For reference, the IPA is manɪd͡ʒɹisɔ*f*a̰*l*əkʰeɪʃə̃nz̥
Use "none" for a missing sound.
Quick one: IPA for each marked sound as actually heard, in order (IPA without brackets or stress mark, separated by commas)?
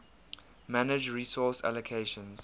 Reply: s, l